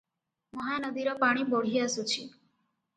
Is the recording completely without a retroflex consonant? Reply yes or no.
no